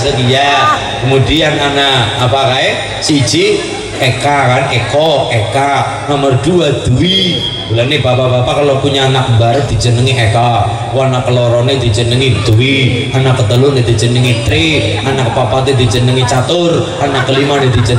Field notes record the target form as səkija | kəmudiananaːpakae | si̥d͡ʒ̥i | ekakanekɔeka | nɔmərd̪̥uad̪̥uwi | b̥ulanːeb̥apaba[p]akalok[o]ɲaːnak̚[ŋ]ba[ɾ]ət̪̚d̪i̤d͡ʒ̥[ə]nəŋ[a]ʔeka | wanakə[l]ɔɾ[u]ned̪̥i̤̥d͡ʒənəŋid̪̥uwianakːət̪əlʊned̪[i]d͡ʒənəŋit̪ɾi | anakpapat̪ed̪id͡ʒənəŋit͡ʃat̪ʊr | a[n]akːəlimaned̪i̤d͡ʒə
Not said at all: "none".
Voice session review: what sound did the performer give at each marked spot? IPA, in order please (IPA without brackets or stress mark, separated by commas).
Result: p, u, m, ɾ, ə, i, l, ɔ, i, n